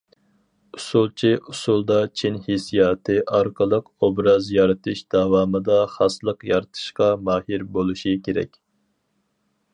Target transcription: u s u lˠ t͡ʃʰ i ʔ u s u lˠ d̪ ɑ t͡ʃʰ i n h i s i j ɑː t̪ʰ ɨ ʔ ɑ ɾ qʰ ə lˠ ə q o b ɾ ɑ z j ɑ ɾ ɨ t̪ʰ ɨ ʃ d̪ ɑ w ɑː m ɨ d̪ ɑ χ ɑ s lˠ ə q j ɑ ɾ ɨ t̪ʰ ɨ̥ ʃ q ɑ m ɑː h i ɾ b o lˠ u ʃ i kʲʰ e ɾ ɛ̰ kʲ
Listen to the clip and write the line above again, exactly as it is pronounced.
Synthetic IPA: u s u lˠ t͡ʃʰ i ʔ u s u lˠ d̪ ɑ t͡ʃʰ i n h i s i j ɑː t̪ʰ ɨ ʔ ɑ ɾ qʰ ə lˠ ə q o b ɾ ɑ z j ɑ ɾ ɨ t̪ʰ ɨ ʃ d̪ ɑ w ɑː m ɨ d̪ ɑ χ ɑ s lˠ ə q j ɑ ɾ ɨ t̪ʰ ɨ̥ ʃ q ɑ m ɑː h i ɾ b o lˠ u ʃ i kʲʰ e ɾ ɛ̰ kʲ